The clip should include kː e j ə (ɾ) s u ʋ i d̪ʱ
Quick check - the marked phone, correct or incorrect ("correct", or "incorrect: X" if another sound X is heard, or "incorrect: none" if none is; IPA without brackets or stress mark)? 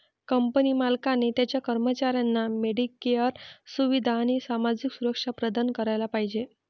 correct